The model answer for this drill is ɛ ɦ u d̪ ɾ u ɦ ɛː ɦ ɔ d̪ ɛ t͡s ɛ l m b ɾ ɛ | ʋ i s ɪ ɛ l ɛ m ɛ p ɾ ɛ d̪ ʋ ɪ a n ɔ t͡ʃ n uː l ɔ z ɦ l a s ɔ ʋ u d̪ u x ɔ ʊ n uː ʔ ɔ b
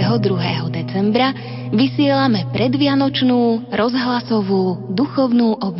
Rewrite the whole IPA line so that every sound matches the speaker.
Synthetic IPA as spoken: ɛ ɦ ɔ d̪ ɾ u ɦ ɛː ɦ ɔ d̪ ɛ t͡s ɛ m b ɾ a | ʋ i s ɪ ɛ l a m ɛ p ɾ ɛ d̪ ʋ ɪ a n ɔ t͡ʃ n uː ɾ ɔ z ɦ l a s ɔ ʋ uː d̪ u x ɔ ʊ n uː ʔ ɔ b